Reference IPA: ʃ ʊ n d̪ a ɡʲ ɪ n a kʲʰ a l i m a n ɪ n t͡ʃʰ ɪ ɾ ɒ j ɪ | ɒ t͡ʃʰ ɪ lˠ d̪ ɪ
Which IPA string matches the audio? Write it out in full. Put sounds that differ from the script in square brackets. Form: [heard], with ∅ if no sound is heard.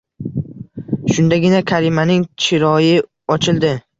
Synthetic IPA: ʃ ʊ n d̪ a ɡʲ ɪ n a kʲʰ a [ɾ] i m a n ɪ [ŋ] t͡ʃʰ ɪ ɾ ɒ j ɪ | ɒ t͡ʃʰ ɪ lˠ d̪ ɪ